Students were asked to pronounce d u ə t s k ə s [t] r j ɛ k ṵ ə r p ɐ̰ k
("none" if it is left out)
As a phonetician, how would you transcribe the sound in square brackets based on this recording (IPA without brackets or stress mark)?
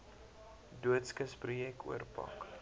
p